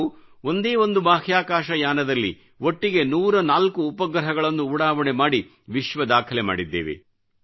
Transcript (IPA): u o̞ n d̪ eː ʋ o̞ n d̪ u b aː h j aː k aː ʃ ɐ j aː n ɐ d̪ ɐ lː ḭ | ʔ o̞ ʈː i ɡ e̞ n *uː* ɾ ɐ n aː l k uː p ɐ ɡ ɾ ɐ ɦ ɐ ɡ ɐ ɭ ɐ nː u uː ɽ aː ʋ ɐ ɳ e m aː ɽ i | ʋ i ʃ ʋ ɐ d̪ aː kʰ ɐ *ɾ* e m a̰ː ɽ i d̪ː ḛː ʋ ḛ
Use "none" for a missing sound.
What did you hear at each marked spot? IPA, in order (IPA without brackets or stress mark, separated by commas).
uː, l